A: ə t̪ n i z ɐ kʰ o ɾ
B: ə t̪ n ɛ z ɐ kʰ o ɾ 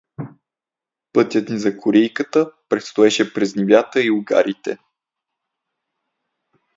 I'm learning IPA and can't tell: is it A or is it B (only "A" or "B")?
A